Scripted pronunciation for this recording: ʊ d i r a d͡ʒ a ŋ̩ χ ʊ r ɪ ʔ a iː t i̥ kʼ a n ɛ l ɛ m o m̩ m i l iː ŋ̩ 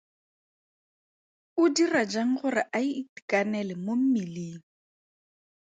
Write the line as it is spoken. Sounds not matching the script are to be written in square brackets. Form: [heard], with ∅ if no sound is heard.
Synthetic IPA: ʊ d i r a d͡ʒ a ŋ̩ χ ʊ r ɪ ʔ a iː t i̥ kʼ a n ɛ l ɛ m o m̩ m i l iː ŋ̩